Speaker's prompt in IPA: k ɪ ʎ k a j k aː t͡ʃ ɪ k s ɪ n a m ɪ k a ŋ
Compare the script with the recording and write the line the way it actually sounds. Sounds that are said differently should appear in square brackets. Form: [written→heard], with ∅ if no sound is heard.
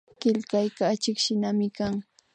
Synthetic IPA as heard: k ɪ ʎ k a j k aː t͡ʃ ɪ k [s→ʃ] ɪ n a m ɪ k a ŋ